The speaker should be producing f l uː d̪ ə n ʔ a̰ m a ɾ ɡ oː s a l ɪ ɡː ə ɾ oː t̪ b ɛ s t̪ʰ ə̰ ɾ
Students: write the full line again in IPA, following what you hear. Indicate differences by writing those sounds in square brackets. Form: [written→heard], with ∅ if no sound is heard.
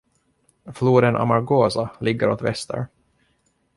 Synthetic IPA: f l uː d̪ ə n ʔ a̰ m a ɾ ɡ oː s a l ɪ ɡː ə ɾ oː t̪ [b→v] ɛ s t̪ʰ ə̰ ɾ